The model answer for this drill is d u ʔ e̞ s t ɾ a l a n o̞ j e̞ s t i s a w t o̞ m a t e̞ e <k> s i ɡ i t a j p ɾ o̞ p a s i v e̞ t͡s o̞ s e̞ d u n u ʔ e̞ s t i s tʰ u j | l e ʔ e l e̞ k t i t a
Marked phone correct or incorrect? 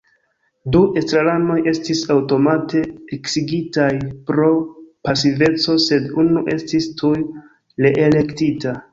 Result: correct